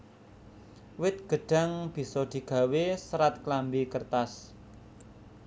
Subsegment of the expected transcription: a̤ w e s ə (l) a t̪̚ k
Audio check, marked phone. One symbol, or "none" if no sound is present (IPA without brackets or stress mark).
ɾ